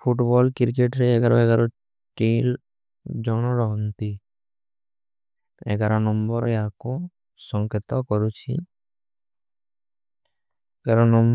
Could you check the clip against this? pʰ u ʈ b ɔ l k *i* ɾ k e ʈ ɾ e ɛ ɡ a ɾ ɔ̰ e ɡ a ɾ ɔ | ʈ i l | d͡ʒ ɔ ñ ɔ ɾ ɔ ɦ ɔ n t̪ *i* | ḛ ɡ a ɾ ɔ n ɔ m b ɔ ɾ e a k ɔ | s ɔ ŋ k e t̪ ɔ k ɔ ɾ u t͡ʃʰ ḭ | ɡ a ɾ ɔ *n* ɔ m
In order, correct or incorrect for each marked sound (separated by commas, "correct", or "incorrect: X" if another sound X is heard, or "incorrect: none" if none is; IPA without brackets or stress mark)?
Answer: correct, correct, correct